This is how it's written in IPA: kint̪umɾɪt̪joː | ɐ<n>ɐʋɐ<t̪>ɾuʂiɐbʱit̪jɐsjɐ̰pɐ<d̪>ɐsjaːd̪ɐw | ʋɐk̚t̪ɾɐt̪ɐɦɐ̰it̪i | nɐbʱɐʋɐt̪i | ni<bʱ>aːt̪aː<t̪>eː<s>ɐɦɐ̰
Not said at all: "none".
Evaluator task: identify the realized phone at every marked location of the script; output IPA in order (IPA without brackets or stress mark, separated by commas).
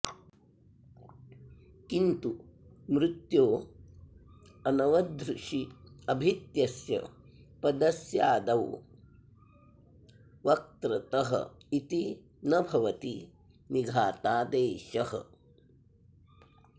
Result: n, d̪, d̪, ɡʱ, d̪, ʃ